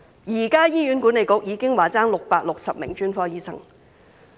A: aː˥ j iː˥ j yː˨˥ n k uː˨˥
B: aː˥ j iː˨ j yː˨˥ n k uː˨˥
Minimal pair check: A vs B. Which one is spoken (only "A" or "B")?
A